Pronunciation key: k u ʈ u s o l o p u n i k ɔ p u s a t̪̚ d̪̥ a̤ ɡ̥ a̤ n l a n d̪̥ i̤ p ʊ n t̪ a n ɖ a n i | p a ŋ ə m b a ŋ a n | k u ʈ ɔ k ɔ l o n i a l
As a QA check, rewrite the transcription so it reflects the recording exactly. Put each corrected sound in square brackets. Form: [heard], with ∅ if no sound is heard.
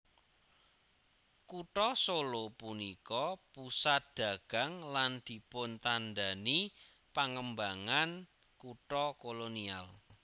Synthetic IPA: k u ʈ [ɔ] s o l o p u n i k ɔ p u s a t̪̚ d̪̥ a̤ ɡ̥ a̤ [ŋ] l a n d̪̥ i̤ p ʊ n t̪ a n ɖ a n i | p a ŋ ə m b a ŋ a n | k u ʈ ɔ k [o] l o n i a l